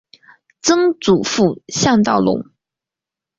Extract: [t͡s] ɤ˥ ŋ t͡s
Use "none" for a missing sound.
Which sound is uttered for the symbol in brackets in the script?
t͡s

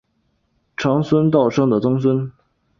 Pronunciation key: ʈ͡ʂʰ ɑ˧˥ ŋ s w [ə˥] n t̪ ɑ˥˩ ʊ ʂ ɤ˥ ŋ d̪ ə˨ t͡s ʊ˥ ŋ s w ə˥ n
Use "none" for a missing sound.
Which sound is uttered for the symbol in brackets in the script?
ə˥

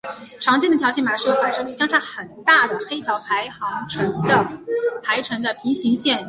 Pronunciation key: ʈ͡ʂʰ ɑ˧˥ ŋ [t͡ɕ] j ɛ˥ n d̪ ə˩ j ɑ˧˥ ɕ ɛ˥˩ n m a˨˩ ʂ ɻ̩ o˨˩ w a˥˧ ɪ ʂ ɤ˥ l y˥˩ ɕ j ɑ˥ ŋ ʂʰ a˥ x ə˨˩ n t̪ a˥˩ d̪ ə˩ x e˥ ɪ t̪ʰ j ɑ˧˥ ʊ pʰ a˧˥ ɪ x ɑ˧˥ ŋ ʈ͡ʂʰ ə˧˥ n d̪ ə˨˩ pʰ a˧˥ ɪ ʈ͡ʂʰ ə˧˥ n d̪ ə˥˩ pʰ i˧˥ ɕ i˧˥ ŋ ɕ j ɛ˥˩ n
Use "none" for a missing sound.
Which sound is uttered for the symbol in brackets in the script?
t͡ɕ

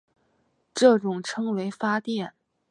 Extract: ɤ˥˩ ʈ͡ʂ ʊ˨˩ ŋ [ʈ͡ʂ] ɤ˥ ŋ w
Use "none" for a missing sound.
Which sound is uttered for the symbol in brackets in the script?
ʈ͡ʂʰ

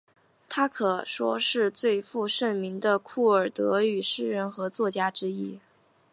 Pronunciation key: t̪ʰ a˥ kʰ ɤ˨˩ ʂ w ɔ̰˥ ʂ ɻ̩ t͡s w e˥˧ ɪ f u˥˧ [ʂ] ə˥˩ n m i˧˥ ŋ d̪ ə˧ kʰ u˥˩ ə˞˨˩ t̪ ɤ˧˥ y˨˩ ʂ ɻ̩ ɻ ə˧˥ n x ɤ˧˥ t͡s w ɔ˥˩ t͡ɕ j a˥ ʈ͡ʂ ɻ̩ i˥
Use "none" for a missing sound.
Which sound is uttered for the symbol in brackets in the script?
ʂ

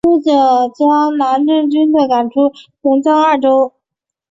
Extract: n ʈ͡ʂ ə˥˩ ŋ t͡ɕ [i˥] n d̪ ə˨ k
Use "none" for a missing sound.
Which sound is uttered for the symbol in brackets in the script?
y˥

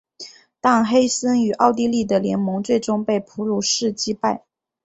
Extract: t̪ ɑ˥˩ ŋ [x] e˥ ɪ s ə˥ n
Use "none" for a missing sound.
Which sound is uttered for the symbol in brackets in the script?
x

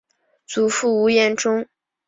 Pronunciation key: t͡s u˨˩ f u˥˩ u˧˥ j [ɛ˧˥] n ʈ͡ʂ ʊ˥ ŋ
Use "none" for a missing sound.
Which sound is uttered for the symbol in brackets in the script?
ɛ˥˩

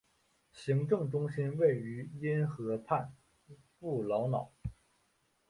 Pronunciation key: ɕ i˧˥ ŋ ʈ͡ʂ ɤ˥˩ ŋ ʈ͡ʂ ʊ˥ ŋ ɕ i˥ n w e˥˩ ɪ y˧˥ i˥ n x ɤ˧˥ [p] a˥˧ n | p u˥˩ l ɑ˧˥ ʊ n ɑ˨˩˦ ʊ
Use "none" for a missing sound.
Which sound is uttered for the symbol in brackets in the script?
pʰ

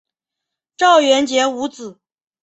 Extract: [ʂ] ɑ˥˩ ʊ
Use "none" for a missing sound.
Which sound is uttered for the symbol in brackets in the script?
ʈ͡ʂ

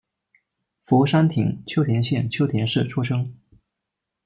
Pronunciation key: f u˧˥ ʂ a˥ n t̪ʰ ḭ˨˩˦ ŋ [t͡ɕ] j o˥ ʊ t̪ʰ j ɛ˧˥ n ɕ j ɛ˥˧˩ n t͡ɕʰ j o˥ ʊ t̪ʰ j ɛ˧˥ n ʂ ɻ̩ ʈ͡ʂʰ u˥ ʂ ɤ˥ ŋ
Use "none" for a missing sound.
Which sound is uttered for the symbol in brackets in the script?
t͡ɕʰ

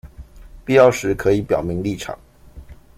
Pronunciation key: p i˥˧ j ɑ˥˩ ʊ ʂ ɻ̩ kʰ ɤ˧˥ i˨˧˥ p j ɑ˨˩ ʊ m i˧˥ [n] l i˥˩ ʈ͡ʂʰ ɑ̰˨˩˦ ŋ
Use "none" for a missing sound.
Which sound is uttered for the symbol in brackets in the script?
ŋ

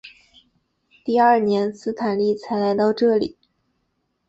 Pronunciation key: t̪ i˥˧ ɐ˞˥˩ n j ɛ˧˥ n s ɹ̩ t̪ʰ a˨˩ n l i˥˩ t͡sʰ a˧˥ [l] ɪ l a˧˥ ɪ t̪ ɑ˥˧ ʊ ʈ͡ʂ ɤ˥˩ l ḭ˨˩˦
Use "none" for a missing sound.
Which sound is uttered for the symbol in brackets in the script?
none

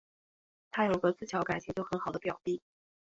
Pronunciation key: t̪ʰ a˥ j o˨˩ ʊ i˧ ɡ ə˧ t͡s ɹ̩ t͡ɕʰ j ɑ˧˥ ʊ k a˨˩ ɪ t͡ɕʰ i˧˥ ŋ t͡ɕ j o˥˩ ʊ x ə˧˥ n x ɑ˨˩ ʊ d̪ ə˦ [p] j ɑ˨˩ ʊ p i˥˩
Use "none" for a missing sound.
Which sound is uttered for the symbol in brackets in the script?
p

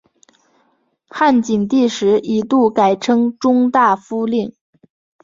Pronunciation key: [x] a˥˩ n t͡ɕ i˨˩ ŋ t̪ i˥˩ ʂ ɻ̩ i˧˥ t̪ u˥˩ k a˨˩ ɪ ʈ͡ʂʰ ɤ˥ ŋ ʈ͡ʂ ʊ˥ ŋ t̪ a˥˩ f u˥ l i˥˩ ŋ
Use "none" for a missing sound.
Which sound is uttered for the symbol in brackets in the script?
x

